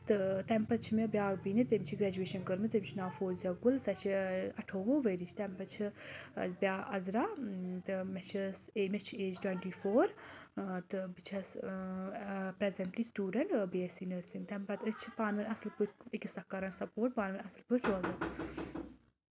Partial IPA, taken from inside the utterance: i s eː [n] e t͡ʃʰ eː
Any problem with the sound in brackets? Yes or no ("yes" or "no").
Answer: yes